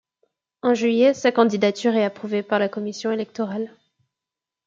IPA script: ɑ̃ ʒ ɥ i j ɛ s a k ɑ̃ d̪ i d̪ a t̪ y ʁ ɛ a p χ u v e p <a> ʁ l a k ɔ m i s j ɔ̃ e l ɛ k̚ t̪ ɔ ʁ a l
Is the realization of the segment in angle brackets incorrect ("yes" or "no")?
no